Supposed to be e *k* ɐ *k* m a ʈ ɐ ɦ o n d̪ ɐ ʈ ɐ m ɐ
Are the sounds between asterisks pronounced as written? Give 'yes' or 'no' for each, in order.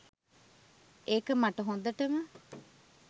yes, no

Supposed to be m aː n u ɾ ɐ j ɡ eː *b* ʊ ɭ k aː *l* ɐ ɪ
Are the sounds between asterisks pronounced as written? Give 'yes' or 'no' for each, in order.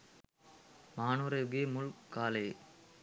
no, yes

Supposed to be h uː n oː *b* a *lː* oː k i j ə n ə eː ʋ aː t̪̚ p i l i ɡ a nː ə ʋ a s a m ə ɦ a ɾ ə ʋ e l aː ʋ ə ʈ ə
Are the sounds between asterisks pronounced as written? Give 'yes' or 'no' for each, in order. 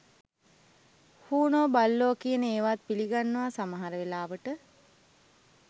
yes, yes

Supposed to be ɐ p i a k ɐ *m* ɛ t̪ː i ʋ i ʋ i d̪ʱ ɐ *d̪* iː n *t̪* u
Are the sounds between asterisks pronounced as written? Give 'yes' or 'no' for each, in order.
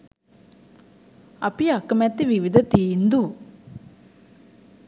yes, no, no

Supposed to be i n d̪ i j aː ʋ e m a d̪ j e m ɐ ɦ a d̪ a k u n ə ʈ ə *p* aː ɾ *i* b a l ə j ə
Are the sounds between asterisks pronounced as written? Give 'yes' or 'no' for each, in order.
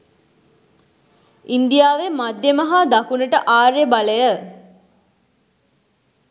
no, no

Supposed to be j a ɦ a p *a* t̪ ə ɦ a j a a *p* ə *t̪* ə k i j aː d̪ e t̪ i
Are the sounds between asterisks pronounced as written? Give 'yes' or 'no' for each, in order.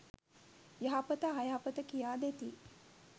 no, yes, yes

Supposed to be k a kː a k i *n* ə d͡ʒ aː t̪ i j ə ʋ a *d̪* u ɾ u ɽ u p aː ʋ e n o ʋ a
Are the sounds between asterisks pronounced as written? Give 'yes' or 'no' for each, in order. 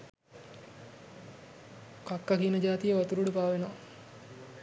yes, no

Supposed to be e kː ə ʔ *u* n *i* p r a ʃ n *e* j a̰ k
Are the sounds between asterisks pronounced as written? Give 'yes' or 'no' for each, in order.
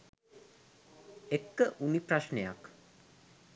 yes, yes, yes

